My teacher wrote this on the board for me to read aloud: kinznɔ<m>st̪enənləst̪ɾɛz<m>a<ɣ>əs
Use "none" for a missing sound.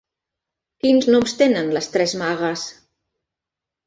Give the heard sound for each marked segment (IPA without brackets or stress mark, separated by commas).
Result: m, m, ɣ